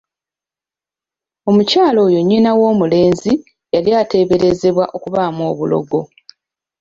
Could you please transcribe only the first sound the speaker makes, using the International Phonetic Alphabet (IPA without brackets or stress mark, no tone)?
o̞